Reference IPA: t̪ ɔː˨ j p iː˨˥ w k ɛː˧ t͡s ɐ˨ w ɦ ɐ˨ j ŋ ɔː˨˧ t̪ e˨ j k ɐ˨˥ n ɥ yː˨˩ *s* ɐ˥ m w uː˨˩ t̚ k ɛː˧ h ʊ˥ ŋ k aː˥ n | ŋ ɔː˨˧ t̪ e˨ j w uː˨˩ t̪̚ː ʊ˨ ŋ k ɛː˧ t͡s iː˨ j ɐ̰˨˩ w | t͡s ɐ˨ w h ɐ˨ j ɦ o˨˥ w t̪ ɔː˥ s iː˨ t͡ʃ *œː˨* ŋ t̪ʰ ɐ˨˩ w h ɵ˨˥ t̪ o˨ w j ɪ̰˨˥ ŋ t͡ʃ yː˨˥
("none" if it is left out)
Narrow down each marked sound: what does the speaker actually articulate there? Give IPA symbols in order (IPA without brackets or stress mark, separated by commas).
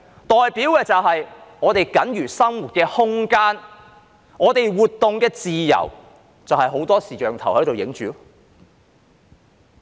s, œː˨